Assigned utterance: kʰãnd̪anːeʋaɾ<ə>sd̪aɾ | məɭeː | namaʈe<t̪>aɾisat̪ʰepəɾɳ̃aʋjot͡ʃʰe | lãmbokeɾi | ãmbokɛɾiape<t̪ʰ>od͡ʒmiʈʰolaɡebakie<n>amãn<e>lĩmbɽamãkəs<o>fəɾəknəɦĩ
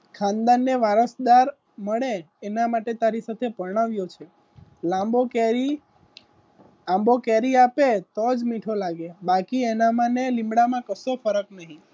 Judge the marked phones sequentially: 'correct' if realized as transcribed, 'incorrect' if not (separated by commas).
correct, correct, incorrect, correct, correct, correct